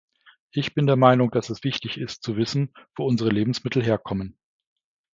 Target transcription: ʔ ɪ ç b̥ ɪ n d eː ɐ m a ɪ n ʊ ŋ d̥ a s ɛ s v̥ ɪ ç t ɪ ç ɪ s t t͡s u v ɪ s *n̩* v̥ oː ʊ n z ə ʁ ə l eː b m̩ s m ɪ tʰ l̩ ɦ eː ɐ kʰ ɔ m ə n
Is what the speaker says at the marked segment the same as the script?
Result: yes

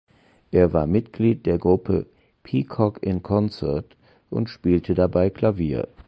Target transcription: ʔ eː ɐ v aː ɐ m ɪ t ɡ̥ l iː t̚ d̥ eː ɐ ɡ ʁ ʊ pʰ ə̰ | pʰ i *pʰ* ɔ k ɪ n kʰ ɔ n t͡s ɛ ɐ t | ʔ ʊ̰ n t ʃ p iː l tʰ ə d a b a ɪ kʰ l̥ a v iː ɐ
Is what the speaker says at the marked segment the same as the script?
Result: no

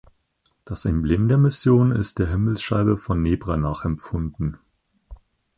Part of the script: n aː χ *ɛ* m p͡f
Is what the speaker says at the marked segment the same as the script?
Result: yes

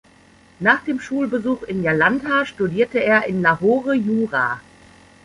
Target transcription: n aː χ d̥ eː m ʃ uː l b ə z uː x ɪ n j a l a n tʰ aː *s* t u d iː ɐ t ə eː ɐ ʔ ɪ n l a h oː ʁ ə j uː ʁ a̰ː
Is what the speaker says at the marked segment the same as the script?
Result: no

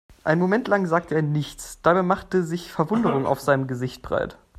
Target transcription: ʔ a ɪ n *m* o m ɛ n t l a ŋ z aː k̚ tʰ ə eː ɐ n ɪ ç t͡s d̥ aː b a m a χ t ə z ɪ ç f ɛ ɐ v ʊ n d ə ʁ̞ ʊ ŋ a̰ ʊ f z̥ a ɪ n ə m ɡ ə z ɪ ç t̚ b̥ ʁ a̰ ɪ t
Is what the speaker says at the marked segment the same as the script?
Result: yes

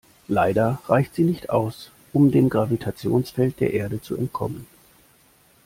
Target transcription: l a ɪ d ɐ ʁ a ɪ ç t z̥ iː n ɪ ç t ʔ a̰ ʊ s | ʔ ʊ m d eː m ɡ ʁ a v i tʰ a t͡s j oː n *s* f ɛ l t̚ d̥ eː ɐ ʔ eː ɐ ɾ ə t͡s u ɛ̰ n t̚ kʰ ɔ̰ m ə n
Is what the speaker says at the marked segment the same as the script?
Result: yes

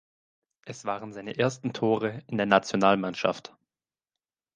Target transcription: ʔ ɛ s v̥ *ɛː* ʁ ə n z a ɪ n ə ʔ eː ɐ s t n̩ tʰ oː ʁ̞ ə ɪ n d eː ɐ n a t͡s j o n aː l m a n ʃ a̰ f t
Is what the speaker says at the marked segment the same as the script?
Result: no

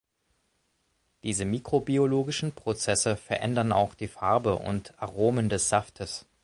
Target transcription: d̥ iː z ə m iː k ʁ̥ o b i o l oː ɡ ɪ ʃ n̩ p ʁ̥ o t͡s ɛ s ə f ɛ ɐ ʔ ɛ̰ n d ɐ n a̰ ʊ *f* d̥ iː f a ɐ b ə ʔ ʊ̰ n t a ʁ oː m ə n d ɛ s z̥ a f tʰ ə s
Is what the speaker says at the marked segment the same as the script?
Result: no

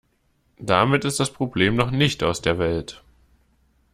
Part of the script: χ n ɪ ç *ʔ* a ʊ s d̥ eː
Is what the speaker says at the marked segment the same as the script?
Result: no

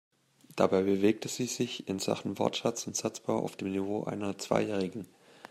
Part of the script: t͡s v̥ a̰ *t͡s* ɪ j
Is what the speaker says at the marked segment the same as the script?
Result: no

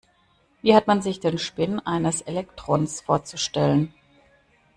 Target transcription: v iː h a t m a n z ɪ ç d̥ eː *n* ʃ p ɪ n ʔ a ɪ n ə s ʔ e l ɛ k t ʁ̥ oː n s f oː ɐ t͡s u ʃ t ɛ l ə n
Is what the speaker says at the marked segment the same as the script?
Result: yes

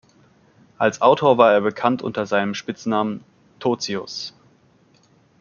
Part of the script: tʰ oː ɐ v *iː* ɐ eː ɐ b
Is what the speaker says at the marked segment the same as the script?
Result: no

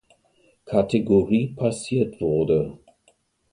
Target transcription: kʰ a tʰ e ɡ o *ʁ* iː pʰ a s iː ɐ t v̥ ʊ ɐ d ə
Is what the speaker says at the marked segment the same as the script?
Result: yes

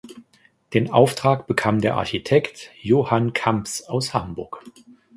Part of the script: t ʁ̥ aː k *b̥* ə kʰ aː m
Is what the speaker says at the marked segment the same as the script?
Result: yes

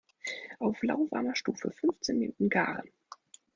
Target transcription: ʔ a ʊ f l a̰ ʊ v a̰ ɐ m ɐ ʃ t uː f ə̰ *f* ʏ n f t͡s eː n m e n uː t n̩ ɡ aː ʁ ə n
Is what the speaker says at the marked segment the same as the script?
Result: yes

